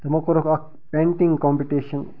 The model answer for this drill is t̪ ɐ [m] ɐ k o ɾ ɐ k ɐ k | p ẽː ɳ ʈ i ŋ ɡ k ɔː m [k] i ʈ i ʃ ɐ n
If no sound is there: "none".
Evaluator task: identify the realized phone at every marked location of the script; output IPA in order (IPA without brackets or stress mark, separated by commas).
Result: m, p